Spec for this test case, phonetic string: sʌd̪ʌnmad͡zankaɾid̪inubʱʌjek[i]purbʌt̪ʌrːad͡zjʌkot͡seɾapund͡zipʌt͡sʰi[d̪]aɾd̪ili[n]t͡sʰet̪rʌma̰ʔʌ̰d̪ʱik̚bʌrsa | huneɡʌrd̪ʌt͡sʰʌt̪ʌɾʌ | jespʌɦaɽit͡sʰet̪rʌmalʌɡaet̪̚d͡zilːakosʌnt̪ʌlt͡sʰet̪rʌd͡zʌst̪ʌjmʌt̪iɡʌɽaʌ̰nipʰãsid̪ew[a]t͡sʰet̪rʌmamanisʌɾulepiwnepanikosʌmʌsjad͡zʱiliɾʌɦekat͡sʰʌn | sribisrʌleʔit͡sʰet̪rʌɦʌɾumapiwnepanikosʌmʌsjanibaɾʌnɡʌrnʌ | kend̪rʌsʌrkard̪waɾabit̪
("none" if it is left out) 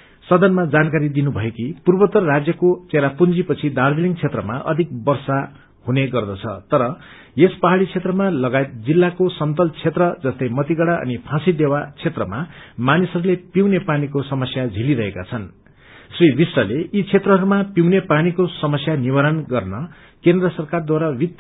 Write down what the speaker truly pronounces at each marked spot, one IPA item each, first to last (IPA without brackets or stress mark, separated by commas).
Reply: i, d̪, ŋ, a